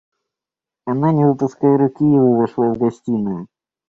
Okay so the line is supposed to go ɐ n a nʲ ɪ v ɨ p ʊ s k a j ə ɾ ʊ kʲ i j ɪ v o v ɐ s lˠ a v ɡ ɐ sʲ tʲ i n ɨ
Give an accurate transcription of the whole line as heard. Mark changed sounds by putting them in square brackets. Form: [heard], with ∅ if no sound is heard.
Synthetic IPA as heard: ɐ n a nʲ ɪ v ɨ p ʊ s k a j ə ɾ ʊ kʲ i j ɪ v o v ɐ [ʂ] lˠ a v ɡ ɐ sʲ tʲ i n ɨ